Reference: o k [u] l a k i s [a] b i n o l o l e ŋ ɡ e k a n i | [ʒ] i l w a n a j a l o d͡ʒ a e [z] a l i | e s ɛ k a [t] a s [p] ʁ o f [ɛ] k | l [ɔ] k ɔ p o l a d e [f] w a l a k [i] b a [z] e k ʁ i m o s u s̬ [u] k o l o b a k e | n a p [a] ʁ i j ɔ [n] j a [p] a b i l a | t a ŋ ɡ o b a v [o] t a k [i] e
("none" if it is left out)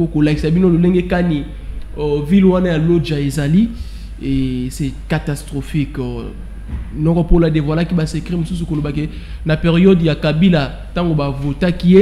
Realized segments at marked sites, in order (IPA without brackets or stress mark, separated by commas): o, a, v, z, t, t, i, ɔ, v, i, s, u, e, d, k, o, i